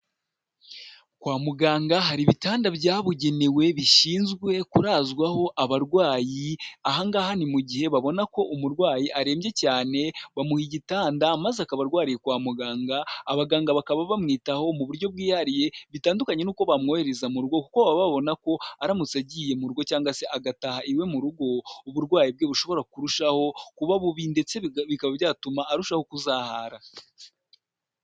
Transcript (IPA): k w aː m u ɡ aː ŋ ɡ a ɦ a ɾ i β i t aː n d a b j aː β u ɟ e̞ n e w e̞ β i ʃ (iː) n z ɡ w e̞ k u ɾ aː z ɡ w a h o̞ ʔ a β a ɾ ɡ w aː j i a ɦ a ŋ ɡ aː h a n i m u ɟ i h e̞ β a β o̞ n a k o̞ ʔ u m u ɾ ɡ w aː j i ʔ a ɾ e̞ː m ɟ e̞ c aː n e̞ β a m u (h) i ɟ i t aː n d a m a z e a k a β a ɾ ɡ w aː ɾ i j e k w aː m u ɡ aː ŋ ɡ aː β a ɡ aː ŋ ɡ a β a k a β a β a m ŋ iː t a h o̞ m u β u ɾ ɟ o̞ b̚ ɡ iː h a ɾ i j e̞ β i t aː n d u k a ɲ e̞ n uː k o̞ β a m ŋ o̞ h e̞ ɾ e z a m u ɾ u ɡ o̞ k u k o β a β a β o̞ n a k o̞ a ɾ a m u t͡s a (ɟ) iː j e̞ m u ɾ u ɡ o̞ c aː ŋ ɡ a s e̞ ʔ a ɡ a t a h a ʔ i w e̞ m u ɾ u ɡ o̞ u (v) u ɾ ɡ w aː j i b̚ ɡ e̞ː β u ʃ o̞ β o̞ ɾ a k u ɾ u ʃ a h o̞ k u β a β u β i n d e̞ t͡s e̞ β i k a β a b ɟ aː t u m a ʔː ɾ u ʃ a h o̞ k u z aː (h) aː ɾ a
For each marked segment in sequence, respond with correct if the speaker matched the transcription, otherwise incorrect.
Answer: correct, correct, correct, incorrect: β, correct

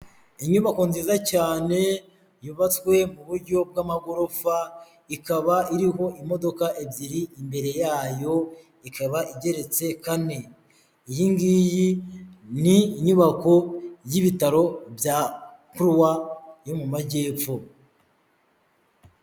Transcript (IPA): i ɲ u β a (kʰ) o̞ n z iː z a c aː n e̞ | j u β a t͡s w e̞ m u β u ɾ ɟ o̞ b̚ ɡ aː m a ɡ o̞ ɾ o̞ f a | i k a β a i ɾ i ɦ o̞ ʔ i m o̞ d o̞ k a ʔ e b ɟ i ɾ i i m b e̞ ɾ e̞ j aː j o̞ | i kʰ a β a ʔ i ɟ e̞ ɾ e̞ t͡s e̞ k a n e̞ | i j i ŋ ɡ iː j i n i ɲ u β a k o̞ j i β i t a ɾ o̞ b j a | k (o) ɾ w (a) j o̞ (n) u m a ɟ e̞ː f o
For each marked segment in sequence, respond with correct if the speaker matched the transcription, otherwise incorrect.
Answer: incorrect: k, incorrect: u, correct, incorrect: m

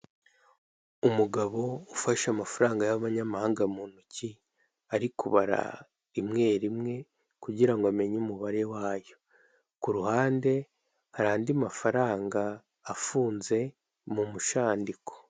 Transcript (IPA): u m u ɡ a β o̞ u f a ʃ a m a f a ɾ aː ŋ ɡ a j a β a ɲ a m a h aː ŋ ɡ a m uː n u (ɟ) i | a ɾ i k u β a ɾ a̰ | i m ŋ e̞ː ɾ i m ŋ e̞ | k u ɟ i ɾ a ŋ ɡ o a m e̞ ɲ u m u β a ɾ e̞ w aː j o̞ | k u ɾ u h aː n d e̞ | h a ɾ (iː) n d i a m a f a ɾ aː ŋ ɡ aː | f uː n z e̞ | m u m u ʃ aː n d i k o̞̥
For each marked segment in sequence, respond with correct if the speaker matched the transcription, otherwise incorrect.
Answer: incorrect: c, incorrect: aː

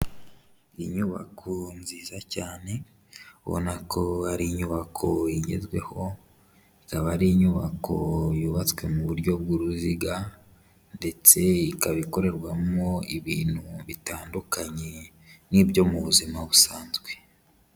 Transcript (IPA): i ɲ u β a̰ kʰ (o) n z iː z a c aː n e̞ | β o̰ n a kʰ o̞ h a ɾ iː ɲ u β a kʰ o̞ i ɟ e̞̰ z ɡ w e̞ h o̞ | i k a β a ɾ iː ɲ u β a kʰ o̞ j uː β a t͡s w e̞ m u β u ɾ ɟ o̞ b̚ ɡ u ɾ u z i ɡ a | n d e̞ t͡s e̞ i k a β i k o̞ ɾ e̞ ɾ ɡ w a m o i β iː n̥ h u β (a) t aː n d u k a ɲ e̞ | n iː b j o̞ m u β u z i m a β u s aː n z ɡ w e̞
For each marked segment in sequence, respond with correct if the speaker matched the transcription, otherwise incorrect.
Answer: correct, incorrect: i

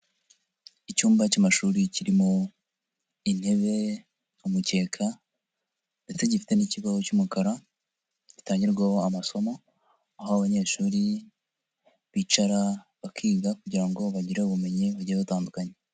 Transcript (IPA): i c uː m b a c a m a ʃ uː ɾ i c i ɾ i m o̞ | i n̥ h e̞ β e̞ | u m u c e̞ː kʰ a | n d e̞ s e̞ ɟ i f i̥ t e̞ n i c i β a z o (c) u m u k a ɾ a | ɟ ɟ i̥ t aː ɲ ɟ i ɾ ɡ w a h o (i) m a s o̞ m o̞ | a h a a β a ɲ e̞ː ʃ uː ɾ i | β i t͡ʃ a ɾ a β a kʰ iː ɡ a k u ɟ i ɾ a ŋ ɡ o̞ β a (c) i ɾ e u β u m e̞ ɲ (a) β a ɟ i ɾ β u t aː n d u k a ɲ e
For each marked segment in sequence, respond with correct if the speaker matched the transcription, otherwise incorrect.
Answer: correct, incorrect: a, incorrect: ɟ, incorrect: i

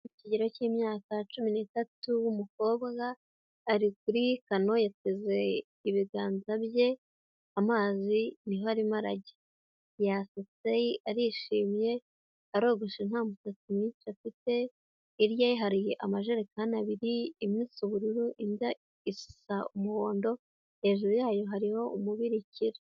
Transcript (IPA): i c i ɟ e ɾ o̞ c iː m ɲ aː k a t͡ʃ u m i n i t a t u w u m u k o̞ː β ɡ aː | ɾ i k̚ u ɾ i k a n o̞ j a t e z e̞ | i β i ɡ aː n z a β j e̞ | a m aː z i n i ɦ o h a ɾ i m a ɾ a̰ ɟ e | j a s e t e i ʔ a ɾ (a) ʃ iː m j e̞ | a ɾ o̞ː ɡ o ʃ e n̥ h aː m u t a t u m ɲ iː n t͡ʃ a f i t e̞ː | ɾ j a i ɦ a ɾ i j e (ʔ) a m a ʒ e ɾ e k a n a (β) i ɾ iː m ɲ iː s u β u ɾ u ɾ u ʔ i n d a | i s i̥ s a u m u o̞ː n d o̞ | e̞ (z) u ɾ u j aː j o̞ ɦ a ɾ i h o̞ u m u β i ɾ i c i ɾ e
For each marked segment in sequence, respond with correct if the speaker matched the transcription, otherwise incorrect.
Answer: incorrect: i, correct, correct, incorrect: ʒ

